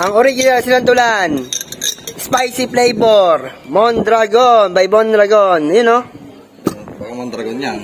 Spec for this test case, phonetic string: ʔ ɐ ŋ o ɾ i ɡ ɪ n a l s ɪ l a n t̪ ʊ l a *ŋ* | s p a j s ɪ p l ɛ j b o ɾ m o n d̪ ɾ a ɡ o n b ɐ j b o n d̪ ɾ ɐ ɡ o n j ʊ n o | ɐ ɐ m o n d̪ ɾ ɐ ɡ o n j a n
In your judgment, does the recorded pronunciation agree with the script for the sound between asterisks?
no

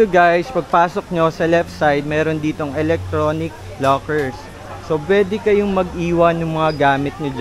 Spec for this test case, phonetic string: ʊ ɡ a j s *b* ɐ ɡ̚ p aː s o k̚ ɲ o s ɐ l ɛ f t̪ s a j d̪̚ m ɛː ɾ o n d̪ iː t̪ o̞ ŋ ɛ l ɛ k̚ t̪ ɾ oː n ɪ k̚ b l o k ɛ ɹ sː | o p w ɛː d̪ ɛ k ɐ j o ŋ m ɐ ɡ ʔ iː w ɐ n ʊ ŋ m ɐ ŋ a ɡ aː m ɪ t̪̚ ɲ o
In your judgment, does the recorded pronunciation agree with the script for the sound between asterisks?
no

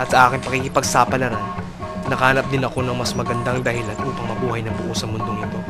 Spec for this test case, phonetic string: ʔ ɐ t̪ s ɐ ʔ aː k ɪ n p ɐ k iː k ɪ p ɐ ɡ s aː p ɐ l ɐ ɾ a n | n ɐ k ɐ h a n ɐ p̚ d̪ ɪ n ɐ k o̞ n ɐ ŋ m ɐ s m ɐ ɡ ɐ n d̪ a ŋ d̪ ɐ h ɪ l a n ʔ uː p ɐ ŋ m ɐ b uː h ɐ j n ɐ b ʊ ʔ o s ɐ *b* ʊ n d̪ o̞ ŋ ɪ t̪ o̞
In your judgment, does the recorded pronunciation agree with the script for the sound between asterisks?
no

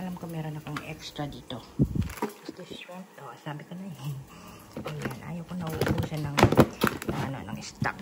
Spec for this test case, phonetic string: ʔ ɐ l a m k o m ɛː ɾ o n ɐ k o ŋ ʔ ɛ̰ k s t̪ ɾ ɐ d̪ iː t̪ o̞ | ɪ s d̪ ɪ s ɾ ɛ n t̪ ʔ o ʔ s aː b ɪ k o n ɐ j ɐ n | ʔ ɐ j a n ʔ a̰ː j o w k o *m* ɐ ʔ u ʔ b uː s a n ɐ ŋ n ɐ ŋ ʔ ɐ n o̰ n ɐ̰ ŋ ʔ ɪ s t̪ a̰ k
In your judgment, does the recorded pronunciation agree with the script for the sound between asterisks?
no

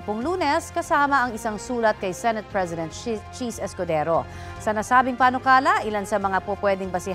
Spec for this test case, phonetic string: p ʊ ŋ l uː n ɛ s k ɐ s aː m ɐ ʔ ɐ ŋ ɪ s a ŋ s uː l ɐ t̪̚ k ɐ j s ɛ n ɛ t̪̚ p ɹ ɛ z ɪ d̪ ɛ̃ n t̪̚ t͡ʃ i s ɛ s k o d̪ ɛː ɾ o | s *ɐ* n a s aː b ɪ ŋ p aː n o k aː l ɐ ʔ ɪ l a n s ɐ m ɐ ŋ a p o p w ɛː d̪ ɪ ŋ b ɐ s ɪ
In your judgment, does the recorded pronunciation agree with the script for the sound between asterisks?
yes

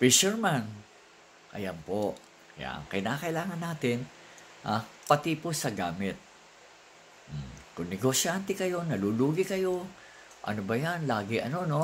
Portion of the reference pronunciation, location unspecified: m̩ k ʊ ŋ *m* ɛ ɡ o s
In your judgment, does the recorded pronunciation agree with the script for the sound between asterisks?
no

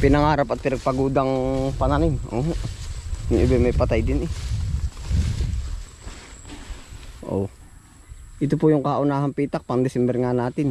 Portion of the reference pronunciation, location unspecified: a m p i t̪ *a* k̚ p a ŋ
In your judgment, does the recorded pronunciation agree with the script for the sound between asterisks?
yes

